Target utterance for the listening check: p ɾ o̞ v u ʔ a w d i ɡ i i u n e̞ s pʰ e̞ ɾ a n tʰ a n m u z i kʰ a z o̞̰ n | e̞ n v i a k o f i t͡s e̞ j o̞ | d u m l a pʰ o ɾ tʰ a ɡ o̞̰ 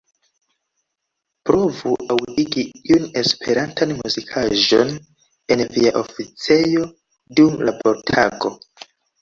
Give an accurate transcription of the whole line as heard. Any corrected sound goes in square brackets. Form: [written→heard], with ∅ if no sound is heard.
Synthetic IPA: p ɾ o̞ v u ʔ a w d i ɡ i i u n e̞ s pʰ e̞ ɾ a n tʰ a n m u z i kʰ a [z→ʒ] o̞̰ n | e̞ n v i a [k→ʔ] o f i t͡s e̞ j o̞ | d u m l a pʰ o ɾ tʰ a ɡ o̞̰